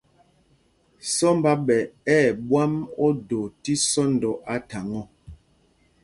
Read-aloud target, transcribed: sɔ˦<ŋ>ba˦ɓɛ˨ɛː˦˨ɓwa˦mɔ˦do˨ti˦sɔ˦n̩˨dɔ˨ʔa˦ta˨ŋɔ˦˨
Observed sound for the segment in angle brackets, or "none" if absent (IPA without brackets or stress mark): m